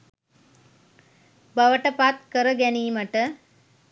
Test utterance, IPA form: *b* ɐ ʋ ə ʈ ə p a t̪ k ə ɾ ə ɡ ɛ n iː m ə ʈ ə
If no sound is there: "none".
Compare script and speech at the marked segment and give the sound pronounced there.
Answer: b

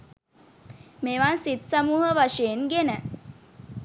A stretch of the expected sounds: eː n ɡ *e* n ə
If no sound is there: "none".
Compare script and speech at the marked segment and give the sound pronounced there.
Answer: e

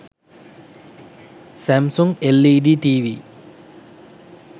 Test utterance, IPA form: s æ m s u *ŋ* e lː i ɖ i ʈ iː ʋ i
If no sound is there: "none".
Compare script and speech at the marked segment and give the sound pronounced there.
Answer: ŋ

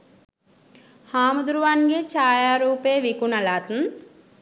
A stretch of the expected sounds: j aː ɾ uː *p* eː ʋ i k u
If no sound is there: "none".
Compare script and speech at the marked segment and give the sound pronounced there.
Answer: p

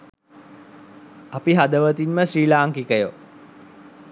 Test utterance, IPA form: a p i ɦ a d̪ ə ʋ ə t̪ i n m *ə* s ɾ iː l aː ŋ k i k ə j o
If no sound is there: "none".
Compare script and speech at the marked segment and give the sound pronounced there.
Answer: ə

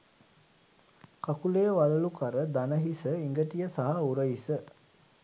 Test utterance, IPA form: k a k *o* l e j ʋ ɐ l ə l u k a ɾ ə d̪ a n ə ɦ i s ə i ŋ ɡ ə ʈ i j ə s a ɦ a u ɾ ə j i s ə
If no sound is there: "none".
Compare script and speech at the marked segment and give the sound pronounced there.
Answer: u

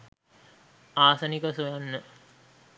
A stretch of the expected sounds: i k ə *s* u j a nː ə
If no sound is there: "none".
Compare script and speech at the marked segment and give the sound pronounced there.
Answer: s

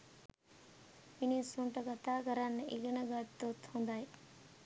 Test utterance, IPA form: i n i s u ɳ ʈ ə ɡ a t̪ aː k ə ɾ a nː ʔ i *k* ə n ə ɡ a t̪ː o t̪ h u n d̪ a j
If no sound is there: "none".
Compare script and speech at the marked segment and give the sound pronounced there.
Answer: ɡ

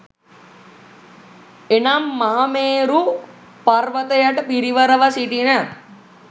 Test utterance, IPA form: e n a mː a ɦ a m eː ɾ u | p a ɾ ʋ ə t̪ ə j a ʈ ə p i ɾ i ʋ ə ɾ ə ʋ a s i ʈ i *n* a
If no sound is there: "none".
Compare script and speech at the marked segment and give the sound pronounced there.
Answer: n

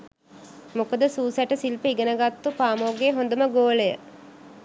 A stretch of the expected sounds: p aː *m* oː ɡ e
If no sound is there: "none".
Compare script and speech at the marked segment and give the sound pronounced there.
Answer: m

